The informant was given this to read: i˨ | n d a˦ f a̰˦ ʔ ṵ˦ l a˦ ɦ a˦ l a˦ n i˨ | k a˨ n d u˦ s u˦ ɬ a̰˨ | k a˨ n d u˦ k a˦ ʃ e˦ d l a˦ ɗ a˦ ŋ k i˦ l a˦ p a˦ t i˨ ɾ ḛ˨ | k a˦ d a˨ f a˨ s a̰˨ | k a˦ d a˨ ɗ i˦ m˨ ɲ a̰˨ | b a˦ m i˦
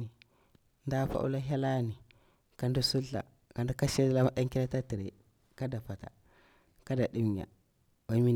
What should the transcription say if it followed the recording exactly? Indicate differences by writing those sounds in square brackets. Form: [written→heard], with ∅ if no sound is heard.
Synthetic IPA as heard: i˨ | n d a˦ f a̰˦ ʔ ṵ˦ l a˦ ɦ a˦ l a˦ n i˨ | k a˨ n d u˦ s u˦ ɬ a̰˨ | k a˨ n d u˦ k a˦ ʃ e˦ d l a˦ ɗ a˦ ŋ k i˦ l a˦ [p→t] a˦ t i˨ ɾ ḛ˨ | k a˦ d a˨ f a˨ [s→t] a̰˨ | k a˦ d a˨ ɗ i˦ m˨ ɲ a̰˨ | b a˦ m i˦